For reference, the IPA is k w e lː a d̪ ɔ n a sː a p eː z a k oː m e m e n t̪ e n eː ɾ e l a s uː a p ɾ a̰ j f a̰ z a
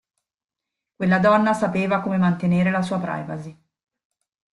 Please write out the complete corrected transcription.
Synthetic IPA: k w e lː a d̪ ɔ nː a s a p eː v a k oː m e m a n t̪ e n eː ɾ e l a s uː a p ɾ a̰ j v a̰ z i